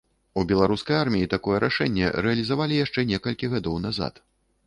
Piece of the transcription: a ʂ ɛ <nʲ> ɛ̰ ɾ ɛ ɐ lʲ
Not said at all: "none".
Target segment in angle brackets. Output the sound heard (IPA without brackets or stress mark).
nʲː